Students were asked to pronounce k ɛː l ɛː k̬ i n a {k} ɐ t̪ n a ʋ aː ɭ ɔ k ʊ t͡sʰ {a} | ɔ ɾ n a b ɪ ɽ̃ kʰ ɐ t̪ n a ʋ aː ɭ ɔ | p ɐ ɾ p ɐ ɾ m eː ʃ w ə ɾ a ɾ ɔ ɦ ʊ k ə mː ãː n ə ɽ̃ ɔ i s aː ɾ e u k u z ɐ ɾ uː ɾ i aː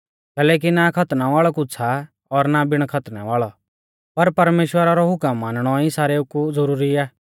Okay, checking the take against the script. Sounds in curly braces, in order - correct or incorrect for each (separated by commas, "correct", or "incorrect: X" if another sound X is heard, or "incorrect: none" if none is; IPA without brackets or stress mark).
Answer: incorrect: kʰ, correct